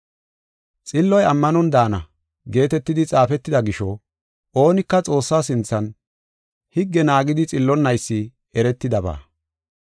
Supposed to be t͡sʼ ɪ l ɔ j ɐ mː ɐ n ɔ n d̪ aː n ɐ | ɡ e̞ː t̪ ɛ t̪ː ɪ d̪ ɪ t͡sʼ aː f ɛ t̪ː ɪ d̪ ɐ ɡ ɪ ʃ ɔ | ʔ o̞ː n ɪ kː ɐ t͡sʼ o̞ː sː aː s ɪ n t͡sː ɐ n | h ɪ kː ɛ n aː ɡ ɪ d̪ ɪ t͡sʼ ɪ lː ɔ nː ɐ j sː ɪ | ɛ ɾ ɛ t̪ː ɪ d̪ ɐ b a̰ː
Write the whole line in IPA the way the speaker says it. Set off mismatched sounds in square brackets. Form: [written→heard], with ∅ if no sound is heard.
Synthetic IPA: t͡sʼ ɪ [l→lː] ɔ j ɐ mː ɐ n ɔ n d̪ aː n ɐ | ɡ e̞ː t̪ ɛ t̪ː ɪ d̪ ɪ t͡sʼ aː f ɛ t̪ː ɪ d̪ ɐ ɡ ɪ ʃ ɔ | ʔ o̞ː n ɪ kː ɐ t͡sʼ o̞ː sː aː s ɪ n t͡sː ɐ n | h ɪ [kː→ɡː] ɛ n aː ɡ ɪ d̪ ɪ t͡sʼ ɪ lː ɔ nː ɐ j sː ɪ | ɛ ɾ ɛ t̪ː ɪ d̪ ɐ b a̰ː